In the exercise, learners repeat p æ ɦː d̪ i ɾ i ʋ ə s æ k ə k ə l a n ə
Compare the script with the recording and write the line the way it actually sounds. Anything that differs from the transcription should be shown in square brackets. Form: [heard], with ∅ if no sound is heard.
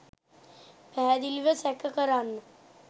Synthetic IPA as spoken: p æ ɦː d̪ i [l] i ʋ ə s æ k ə k ə [ɾ] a [nː] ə